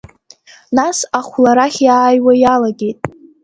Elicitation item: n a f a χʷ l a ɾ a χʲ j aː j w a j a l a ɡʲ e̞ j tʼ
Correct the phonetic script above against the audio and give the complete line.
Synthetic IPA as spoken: n a s a χʷ l a ɾ a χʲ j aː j w a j a l a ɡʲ e̞ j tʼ